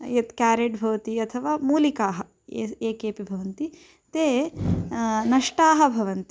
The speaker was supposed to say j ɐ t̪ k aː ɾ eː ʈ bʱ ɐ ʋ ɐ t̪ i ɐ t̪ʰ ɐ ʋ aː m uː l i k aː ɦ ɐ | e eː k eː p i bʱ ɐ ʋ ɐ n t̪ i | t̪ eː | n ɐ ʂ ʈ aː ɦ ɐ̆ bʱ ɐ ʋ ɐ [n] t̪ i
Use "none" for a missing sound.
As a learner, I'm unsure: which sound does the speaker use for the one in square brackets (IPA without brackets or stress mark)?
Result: n